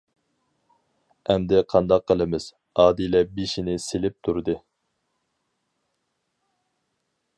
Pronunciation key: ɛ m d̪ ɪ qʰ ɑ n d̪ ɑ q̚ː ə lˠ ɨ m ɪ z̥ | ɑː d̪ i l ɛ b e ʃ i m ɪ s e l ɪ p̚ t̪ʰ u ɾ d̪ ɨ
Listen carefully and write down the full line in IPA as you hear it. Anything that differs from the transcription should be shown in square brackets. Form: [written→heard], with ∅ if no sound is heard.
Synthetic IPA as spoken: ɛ m d̪ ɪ qʰ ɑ n d̪ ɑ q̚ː ə lˠ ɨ m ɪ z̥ | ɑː d̪ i l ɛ b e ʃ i [m→n] ɪ s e l ɪ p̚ t̪ʰ u ɾ d̪ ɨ